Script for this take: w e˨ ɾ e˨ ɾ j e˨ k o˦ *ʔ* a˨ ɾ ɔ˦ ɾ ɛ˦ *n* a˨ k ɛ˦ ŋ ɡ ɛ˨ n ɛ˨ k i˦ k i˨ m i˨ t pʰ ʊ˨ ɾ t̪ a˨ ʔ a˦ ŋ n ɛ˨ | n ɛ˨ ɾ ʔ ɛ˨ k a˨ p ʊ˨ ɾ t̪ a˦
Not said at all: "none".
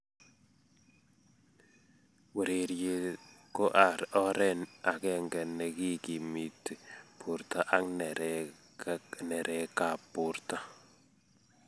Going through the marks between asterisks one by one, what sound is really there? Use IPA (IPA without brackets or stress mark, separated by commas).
ʔ, n